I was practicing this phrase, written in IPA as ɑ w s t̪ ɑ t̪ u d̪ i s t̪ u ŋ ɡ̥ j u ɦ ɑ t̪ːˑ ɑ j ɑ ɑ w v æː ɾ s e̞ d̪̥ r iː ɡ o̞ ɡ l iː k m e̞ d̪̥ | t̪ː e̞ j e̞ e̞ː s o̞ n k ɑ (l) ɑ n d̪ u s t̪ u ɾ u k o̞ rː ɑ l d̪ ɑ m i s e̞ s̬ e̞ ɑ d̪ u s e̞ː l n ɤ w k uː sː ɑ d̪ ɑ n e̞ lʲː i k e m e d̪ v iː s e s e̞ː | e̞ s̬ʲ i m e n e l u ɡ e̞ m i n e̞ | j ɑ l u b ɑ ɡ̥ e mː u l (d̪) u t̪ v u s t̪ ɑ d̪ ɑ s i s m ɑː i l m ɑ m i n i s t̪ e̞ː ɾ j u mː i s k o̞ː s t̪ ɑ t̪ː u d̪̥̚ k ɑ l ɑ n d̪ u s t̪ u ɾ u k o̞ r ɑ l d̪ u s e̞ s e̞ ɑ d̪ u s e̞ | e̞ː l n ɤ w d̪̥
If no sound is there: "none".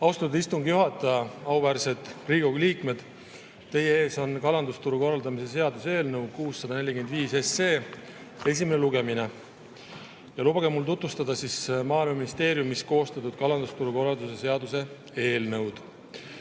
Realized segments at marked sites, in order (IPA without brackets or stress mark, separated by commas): l, t̪